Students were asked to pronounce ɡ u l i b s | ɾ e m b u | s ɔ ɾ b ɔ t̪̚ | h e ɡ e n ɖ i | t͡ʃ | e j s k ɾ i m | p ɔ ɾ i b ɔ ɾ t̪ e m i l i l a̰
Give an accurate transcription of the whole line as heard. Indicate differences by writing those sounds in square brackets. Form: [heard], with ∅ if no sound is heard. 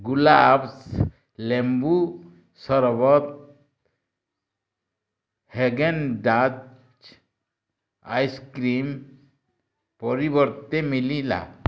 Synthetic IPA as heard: ɡ u l [a] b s | [l] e m b u | s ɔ ɾ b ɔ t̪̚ | h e ɡ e n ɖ [a] | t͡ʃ | [a] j s k ɾ i m | p ɔ ɾ i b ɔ ɾ t̪ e m i l i l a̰